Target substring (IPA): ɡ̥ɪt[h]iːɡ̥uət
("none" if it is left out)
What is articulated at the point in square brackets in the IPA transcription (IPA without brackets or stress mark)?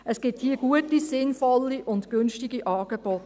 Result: h